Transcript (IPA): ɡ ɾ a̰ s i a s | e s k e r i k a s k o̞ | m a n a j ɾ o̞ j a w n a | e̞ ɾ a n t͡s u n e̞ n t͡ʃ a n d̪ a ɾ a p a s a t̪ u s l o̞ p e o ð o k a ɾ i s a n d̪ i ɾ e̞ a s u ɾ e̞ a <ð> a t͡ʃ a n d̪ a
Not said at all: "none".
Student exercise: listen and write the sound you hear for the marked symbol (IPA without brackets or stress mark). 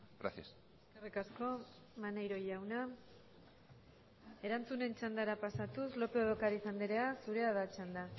ð